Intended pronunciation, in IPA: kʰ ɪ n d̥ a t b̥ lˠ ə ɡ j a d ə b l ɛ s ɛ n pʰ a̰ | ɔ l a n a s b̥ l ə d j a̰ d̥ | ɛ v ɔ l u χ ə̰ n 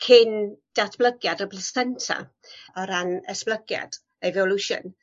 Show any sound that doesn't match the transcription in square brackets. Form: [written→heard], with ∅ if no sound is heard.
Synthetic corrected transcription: kʰ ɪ n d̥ a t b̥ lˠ ə ɡ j a d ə b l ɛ s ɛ n [pʰ→tʰ] a̰ | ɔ [l→ɾ] a n [a→ɛ] s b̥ l ə [d→ɡ] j a̰ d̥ | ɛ v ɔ l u [χ→ʃ] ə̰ n